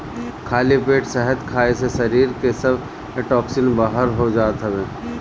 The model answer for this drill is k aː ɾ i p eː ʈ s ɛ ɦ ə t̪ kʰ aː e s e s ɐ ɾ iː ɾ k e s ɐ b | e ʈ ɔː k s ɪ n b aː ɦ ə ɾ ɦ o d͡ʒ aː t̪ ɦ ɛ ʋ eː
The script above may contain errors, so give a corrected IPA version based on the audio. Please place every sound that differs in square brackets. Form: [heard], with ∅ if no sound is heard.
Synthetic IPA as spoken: [kʰ] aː [l] i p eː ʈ s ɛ ɦ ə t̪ kʰ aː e s e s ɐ ɾ iː ɾ k e s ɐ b | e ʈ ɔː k s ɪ n b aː ɦ ə ɾ ɦ o d͡ʒ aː t̪ ɦ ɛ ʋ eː